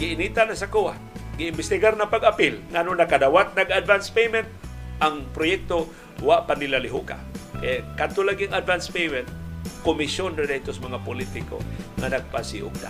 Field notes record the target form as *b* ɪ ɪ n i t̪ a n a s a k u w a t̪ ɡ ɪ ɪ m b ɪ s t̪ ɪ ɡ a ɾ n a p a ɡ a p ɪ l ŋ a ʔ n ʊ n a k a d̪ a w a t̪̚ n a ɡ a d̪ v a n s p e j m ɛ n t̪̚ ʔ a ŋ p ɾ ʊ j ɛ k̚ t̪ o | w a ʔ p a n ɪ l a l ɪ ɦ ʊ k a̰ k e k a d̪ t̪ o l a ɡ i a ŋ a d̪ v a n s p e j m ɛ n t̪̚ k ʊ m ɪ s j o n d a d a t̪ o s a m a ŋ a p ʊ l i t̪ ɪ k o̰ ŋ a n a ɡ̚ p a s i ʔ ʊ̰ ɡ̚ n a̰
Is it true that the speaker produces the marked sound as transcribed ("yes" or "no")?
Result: no